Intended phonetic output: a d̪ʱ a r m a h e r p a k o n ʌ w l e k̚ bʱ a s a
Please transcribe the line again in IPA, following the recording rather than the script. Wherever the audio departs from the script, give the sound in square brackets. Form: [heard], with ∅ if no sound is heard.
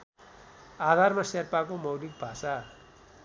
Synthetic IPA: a d̪ʱ a r m a [s] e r p a k o [m] ʌ w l [i] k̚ bʱ a s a